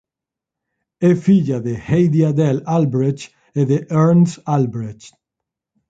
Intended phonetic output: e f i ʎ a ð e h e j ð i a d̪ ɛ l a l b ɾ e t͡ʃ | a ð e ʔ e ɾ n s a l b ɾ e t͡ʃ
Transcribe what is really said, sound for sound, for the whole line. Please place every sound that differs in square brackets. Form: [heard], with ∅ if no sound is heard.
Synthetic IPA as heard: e f i ʎ a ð e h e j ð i a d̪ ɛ l a l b ɾ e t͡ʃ | [e] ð e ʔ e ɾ n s a l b ɾ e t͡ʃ